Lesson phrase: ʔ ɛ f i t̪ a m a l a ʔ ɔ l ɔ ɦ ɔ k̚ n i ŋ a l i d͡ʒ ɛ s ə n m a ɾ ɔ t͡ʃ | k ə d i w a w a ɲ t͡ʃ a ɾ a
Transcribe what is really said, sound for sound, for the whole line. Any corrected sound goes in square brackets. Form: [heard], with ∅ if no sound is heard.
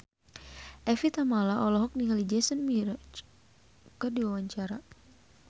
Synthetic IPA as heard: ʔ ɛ f i t̪ a m a l a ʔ ɔ l ɔ ɦ ɔ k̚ n i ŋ a l i d͡ʒ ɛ s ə n m [i] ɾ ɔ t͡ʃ | k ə d i w a w a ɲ t͡ʃ a ɾ a